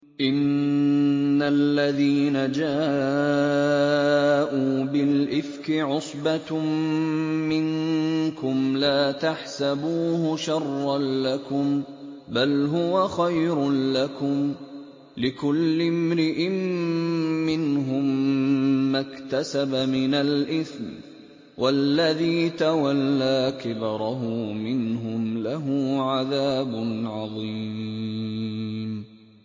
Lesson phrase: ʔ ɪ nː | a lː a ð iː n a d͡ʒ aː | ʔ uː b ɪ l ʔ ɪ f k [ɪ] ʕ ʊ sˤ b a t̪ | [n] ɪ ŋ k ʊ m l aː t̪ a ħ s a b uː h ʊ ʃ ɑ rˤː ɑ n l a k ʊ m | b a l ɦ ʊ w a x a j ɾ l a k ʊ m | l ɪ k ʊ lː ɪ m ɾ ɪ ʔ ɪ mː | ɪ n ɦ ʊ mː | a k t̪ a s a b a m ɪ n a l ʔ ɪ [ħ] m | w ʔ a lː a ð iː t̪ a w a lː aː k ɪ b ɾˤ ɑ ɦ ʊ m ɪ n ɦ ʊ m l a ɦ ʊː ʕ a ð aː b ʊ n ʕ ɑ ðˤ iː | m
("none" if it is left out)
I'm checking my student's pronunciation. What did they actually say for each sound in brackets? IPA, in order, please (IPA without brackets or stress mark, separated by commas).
ɪ, m, θ